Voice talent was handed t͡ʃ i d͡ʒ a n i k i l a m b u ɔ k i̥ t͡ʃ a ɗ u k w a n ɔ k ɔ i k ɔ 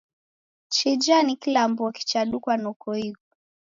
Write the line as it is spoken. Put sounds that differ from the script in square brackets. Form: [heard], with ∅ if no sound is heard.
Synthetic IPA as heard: t͡ʃ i d͡ʒ a n i k i l a m b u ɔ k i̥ t͡ʃ a ɗ u k w a n ɔ k ɔ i k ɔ